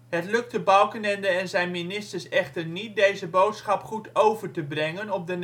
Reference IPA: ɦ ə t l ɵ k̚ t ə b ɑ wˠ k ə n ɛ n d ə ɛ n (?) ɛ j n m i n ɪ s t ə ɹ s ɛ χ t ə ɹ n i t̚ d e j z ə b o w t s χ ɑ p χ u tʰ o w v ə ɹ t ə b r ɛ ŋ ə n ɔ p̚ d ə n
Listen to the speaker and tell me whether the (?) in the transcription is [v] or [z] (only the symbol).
z